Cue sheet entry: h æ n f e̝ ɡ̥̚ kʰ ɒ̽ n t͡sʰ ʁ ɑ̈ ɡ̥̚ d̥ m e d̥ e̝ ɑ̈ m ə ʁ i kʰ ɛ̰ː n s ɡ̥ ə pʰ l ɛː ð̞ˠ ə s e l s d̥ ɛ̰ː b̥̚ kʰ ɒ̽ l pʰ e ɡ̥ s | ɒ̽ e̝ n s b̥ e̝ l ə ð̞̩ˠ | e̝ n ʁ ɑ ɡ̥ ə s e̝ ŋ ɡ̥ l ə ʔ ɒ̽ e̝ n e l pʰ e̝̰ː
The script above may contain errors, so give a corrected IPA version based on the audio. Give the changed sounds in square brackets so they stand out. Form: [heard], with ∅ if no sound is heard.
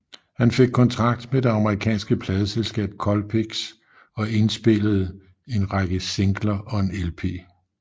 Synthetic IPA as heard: h æ n f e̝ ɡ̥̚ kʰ ɒ̽ n t͡sʰ ʁ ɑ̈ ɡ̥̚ d̥ m e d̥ e̝ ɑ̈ m ə ʁ i kʰ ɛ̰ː n s ɡ̥ ə pʰ l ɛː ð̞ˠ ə s e l s [ɡ̥] ɛ̰ː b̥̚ kʰ ɒ̽ l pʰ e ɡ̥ s | ɒ̽ e̝ n s b̥ e̝ l ə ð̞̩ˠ | e̝ n ʁ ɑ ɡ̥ ə s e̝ ŋ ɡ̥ l [ɐ] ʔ ɒ̽ e̝ n e l pʰ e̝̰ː